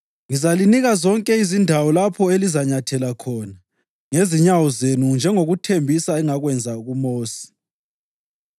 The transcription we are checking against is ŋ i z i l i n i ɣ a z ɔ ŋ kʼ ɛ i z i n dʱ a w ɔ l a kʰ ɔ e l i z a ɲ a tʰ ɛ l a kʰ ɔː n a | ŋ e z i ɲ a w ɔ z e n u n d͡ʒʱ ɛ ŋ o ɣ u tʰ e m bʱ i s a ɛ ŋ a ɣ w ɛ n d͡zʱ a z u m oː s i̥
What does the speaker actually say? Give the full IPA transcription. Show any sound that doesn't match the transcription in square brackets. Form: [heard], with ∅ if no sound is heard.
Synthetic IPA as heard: ŋ i z [a] l i n i ɣ a z ɔ ŋ kʼ ɛ i z i n dʱ a w ɔ l a [pʰ] ɔ e l i z a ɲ a tʰ ɛ l a kʰ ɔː n a | ŋ e z i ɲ a w ɔ z e n u n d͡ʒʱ ɛ ŋ o ɣ u tʰ e m bʱ i s a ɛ ŋ a ɣ w ɛ n d͡zʱ a [ɣ] u m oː s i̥